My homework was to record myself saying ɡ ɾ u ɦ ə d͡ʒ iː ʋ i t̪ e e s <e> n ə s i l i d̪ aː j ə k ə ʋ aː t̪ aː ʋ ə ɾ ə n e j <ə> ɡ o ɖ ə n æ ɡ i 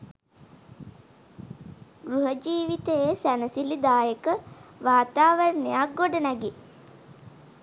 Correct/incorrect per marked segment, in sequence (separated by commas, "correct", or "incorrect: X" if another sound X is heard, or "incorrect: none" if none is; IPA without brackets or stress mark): incorrect: æ, incorrect: a